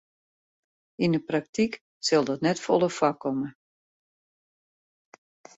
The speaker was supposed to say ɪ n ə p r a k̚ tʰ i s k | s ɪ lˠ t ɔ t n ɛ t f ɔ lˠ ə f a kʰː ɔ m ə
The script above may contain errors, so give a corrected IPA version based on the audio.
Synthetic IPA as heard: i n ə p r a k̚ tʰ i k | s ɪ lˠ d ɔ t n ɛ t f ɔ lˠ ə f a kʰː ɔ m ə